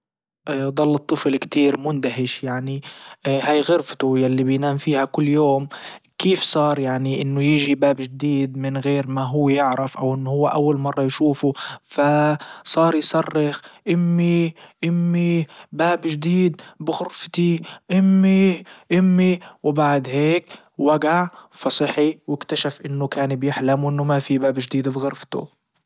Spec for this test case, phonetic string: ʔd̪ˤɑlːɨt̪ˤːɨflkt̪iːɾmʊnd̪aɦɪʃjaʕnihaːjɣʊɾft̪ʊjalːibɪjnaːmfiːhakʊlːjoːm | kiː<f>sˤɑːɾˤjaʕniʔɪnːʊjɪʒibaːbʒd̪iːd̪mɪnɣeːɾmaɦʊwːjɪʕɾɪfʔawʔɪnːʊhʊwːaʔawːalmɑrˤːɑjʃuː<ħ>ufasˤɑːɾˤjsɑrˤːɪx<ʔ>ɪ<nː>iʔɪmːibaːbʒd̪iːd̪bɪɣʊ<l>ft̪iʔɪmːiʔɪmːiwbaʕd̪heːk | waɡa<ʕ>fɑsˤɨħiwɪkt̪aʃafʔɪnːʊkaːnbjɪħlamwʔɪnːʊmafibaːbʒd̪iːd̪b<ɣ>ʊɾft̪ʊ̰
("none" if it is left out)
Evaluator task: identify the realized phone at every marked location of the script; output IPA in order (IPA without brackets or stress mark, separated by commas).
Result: f, f, ʔ, mː, ɾ, ʕ, ɣ